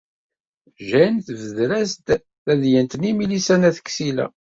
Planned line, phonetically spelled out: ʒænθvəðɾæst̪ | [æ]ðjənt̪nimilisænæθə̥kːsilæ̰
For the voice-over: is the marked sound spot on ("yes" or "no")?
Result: yes